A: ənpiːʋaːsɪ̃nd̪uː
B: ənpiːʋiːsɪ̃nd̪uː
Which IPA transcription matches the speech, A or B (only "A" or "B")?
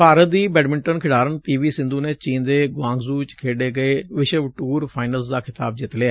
B